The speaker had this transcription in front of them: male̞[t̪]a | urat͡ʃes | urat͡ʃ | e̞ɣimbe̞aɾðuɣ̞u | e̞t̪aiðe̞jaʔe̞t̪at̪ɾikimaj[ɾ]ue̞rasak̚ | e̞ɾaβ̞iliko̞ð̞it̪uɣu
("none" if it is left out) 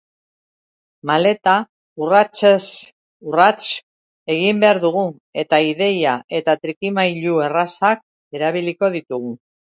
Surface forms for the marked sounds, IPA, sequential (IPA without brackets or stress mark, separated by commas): t̪, ʎ